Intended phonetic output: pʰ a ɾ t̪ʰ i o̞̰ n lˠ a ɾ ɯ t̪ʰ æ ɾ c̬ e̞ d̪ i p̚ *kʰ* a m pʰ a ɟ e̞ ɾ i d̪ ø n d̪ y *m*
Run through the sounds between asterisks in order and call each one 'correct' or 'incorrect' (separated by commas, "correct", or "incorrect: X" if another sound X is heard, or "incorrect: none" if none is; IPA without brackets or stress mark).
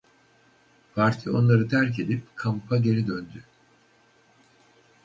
correct, incorrect: none